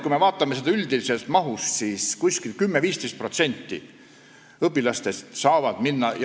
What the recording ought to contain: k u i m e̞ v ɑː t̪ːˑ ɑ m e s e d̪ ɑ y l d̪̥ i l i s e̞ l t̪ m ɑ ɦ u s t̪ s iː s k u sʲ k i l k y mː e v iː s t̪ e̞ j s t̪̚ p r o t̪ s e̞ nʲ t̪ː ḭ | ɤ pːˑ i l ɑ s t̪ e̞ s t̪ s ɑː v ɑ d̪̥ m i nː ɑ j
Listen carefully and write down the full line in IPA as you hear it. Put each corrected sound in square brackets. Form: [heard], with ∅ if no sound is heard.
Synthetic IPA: k u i m e̞ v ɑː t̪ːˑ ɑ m e s e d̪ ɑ y l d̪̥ i l i s e̞ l t̪ m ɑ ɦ u s t̪ s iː s k u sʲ k i l k y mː e v iː s t̪ e̞ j s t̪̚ p r o t̪ s e̞ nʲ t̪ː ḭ | ɤ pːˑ i l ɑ s t̪ e̞ s t̪ s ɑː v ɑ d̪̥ m i nː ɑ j